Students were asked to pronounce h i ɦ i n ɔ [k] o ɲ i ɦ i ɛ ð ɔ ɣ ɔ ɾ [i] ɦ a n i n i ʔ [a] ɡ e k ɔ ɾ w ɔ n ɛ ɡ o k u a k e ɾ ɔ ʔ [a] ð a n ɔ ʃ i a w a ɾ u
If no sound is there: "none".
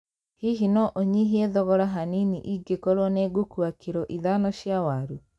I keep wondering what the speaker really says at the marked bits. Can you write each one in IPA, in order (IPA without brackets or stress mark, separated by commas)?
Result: ʔ, a, i, i